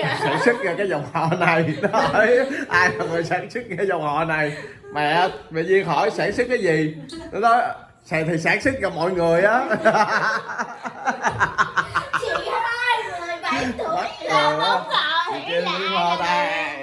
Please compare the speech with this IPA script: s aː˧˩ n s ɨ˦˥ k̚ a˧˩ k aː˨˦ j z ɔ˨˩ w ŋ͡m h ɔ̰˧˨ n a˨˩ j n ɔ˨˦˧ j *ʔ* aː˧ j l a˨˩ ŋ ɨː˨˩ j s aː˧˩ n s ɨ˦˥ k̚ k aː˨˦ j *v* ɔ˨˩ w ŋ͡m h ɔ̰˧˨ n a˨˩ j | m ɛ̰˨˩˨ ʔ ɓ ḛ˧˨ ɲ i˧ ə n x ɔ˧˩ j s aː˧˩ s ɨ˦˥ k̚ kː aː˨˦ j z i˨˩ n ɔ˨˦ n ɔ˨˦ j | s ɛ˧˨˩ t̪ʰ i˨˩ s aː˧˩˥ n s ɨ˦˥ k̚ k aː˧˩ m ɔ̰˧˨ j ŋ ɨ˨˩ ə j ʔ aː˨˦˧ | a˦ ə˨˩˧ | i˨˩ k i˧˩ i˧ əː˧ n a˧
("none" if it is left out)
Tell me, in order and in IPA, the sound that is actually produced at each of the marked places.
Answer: ʔ, z

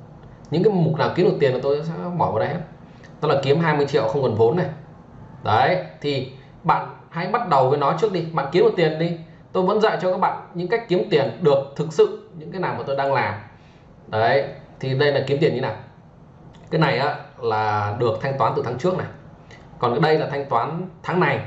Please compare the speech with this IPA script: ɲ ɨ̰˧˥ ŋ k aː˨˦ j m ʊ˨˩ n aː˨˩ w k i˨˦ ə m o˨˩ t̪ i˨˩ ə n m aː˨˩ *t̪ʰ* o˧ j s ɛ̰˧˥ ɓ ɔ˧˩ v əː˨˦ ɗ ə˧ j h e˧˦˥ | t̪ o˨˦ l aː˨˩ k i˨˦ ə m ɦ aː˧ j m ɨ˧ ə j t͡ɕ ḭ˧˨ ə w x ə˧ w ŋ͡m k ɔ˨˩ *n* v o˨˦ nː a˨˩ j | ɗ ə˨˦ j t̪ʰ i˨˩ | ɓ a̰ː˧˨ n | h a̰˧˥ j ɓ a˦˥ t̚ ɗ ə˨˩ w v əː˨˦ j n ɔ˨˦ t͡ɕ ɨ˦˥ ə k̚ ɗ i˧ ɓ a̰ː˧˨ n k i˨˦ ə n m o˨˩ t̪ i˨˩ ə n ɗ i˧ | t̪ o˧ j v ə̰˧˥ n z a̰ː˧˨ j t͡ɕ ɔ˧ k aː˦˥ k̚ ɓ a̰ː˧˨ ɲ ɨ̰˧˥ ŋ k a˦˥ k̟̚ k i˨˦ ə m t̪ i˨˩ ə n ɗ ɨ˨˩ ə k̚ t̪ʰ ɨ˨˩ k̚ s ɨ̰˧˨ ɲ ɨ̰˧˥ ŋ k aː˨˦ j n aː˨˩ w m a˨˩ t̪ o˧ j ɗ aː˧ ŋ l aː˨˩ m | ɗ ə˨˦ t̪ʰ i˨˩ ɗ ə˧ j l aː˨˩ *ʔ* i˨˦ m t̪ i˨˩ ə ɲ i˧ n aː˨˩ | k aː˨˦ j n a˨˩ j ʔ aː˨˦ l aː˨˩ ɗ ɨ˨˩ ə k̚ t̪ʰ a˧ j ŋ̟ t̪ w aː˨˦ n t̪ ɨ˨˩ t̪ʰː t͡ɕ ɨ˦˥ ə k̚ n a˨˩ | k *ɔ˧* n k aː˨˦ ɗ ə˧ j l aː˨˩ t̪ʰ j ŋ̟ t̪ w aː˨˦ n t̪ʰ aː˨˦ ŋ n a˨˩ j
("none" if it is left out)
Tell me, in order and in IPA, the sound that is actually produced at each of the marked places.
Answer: t̪, n, k, ɔ˨˩

